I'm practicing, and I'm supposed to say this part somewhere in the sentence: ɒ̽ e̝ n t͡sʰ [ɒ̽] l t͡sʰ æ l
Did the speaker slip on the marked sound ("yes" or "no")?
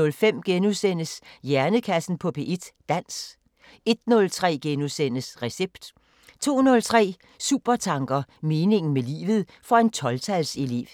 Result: no